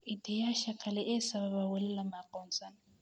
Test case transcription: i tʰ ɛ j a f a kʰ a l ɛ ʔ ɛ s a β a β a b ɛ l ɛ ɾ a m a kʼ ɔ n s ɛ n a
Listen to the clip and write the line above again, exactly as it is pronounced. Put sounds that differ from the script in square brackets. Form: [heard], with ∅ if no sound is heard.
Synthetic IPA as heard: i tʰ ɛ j a [ʃ] a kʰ a l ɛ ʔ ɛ s a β a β a [w] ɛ l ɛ [l] a m a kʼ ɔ n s [a] n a